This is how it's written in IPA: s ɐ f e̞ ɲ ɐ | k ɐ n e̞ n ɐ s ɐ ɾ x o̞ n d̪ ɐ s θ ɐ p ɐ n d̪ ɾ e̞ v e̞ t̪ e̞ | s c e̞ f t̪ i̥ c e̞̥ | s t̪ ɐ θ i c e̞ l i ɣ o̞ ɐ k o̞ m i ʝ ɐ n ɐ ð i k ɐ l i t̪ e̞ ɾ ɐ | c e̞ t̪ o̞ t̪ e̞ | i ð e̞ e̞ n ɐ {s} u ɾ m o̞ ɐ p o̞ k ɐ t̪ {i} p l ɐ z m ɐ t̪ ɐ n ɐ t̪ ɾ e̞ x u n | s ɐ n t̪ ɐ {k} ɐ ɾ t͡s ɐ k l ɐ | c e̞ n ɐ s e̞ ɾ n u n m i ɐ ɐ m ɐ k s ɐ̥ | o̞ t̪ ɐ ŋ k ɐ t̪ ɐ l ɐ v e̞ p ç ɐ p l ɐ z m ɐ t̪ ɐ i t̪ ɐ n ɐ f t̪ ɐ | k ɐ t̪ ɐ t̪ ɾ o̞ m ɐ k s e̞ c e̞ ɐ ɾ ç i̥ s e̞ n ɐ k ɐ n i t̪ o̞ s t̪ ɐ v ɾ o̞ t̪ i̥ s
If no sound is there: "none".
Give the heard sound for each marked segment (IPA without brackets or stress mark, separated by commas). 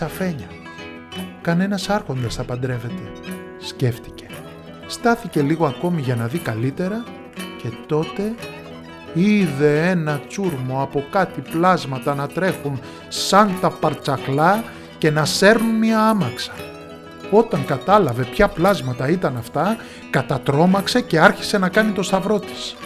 t͡s, i, p